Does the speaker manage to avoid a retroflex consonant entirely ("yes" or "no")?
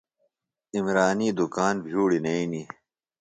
no